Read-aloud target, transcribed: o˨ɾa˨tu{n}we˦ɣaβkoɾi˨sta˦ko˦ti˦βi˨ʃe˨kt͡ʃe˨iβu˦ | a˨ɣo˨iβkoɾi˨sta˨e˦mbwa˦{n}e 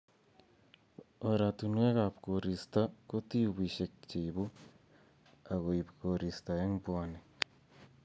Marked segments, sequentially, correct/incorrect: correct, correct

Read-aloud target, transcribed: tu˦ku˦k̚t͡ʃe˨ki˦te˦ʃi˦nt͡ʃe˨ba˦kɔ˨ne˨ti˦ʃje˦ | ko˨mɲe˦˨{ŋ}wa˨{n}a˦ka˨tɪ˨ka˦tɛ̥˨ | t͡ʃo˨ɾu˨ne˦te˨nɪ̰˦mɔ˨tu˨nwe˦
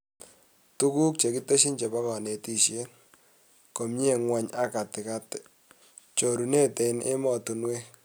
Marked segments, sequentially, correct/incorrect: correct, incorrect

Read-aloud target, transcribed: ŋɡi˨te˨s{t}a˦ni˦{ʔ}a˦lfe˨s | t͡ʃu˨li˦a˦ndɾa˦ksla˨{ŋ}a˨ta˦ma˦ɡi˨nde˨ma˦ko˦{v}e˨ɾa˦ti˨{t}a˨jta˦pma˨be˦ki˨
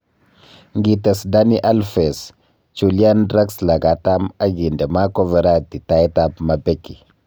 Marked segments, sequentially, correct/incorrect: incorrect, correct, incorrect, correct, correct

